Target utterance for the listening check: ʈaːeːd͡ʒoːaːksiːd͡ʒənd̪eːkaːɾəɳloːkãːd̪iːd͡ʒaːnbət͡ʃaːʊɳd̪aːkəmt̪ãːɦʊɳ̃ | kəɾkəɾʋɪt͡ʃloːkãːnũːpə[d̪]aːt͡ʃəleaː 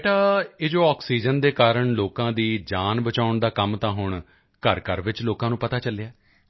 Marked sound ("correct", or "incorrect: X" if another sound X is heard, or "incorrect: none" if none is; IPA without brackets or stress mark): incorrect: t̪